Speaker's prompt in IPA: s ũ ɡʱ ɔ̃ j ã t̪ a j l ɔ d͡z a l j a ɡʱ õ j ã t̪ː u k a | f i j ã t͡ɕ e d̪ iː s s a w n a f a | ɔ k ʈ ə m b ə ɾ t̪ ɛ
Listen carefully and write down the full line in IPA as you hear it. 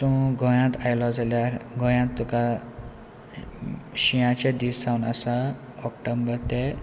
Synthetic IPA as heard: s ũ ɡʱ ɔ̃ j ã t̪ a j l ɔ d͡z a l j a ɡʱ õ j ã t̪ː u k a | ɕ i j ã t͡ɕ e d̪ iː s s a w n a s a | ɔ k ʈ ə m b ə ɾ t̪ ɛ